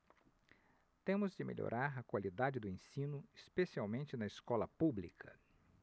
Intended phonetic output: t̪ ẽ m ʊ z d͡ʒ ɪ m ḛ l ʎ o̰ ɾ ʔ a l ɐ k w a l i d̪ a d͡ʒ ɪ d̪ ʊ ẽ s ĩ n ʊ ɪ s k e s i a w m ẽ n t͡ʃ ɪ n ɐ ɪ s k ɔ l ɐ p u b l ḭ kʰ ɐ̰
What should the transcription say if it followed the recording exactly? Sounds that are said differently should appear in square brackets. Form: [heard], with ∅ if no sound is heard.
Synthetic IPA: t̪ ẽ m ʊ z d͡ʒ ɪ m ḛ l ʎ o̰ ɾ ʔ a [ɾ] ɐ k w a l i d̪ a d͡ʒ ɪ d̪ ʊ ẽ s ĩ n ʊ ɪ s [p] e s i a w m ẽ n t͡ʃ ɪ n ɐ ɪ s k ɔ l ɐ p u b l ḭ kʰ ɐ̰